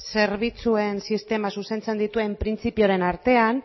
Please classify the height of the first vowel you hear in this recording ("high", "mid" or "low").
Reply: mid